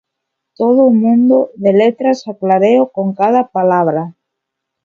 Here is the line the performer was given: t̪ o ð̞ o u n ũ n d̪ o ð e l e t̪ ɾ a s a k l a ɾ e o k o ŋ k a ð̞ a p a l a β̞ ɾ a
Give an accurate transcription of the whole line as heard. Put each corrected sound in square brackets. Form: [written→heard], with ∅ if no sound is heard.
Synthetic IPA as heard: t̪ o ð̞ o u [n→m] ũ n d̪ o ð e l e t̪ ɾ a s a k l a ɾ e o k o ŋ k a ð̞ a p a l a β̞ ɾ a